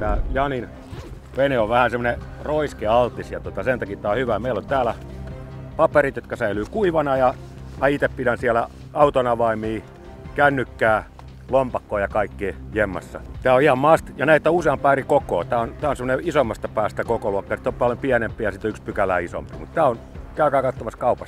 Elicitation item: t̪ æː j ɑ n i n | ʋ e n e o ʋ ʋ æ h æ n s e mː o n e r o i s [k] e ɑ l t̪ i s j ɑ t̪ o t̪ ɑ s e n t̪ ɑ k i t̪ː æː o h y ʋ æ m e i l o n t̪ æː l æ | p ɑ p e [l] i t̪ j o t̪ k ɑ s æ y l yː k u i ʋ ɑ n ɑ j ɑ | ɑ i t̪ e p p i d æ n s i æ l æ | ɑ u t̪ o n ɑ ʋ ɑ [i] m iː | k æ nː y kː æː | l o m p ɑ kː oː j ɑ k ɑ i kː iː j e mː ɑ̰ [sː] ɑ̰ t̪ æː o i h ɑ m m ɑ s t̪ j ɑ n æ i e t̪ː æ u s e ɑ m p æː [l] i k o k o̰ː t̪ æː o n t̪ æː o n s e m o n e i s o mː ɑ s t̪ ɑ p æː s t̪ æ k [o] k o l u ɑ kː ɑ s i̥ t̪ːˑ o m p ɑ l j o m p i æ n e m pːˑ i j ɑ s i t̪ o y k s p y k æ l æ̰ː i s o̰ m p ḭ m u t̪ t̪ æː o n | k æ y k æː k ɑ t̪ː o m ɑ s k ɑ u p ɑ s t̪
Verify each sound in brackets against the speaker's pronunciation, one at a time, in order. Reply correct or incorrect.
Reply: correct, incorrect: r, correct, correct, incorrect: r, correct

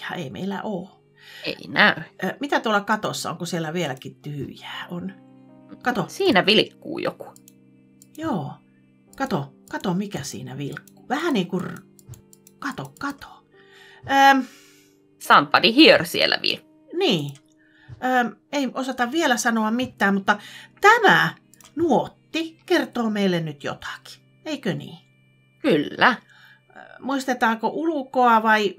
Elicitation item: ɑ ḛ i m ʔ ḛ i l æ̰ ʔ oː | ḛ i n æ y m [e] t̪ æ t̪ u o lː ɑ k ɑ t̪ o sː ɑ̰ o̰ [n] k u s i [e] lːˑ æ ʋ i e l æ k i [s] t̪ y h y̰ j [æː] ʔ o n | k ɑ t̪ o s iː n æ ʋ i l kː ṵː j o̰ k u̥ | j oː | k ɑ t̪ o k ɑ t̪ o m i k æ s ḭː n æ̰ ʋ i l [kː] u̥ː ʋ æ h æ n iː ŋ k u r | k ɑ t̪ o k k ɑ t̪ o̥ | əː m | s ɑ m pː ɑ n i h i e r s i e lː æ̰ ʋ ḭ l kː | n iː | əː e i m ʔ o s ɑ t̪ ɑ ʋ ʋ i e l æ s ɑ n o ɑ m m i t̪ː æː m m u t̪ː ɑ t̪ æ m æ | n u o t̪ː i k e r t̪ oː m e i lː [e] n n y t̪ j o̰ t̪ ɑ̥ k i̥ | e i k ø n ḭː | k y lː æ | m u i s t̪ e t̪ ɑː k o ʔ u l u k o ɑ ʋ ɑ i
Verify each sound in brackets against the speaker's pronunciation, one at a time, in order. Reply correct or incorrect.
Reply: incorrect: i, incorrect: ŋ, correct, incorrect: t, correct, correct, correct

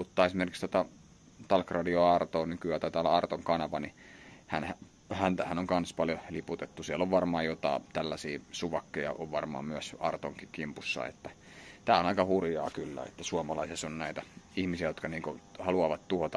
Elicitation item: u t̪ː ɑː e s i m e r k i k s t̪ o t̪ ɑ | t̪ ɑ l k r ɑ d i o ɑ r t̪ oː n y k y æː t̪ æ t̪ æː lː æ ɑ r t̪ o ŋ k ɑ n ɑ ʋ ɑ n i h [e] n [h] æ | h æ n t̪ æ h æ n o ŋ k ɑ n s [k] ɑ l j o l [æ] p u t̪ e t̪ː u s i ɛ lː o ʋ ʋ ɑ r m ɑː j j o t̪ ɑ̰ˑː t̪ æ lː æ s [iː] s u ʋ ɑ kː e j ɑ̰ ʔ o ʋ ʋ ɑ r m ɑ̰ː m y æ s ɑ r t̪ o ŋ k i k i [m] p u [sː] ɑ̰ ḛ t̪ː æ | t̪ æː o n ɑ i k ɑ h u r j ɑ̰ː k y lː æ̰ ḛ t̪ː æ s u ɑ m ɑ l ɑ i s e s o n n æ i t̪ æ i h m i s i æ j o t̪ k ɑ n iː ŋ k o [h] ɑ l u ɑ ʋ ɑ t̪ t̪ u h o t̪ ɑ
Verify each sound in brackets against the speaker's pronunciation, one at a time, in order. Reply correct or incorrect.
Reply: incorrect: æ, correct, incorrect: p, incorrect: i, correct, correct, correct, correct

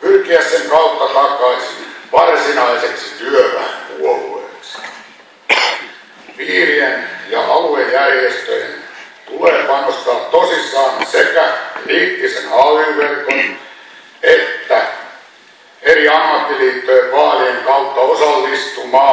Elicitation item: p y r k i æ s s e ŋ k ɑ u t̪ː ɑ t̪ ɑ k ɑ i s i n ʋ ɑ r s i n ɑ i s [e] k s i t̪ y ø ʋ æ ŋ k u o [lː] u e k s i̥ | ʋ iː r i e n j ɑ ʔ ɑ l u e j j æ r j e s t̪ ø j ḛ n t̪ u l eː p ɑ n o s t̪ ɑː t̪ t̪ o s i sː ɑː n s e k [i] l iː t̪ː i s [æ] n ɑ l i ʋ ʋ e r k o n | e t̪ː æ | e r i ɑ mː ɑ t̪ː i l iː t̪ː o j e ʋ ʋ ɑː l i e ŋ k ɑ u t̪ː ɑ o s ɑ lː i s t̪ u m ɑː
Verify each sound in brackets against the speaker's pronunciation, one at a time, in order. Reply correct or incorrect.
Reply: correct, incorrect: l, incorrect: æ, incorrect: e

